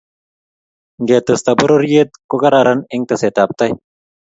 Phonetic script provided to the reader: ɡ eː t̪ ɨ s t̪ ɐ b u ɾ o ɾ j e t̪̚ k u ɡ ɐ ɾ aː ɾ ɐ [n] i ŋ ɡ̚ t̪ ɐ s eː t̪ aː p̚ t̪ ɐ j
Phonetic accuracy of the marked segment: correct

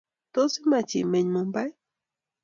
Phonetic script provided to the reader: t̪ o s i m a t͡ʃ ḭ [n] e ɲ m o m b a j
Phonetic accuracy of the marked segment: incorrect: m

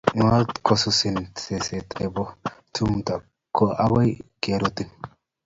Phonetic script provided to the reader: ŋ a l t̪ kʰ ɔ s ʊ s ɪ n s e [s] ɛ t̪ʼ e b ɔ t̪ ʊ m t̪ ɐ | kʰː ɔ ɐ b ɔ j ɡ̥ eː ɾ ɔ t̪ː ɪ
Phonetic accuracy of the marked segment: correct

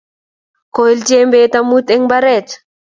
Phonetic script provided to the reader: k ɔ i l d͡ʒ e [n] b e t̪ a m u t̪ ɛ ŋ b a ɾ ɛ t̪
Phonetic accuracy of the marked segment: incorrect: m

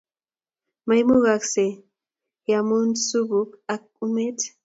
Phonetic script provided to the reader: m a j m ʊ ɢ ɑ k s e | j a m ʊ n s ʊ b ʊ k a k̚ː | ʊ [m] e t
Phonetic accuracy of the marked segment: correct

